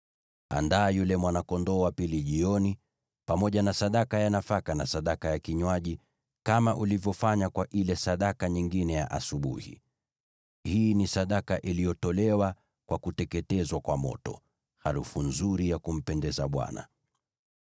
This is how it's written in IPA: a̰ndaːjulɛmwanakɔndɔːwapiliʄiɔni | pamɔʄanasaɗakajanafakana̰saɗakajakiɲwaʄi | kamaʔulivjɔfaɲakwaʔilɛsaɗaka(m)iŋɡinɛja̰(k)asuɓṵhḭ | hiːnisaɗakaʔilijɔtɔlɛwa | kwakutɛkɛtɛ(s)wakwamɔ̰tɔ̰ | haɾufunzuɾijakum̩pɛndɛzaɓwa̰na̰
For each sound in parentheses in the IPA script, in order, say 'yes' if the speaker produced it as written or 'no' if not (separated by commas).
no, no, no